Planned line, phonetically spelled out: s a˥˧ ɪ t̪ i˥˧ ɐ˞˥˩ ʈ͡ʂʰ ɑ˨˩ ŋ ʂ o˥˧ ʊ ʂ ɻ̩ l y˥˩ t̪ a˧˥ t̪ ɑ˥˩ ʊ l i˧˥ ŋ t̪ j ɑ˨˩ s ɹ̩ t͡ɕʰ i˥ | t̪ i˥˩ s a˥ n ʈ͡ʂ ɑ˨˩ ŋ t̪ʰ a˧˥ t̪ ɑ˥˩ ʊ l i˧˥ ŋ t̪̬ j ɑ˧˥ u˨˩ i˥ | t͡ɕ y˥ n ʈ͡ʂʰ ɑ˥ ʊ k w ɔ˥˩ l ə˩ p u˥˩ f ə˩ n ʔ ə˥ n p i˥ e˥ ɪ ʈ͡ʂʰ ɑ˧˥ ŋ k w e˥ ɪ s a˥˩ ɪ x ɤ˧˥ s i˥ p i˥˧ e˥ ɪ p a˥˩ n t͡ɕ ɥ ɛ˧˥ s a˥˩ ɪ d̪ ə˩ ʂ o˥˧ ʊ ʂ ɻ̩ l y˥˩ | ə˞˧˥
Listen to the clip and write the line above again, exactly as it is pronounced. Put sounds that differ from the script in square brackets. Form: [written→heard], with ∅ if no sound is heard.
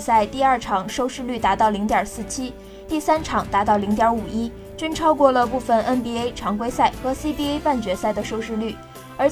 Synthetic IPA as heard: s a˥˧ ɪ t̪ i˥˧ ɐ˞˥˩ ʈ͡ʂʰ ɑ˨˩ ŋ ʂ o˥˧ ʊ ʂ ɻ̩ l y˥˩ t̪ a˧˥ t̪ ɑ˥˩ ʊ l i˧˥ ŋ t̪ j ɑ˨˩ s ɹ̩ t͡ɕʰ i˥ | t̪ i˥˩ s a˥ n [ʈ͡ʂ→ʈ͡ʂʰ] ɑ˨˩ ŋ [t̪ʰ→t̪] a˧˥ t̪ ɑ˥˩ ʊ l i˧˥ ŋ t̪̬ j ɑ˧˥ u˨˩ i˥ | t͡ɕ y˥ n ʈ͡ʂʰ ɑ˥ ʊ k w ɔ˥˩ l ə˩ p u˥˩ f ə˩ n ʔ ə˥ n p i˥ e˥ ɪ ʈ͡ʂʰ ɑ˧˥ ŋ k w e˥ ɪ s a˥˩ ɪ x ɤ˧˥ s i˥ p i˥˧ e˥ ɪ p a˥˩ n t͡ɕ ɥ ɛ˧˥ s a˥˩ ɪ d̪ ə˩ ʂ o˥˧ ʊ ʂ ɻ̩ l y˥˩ | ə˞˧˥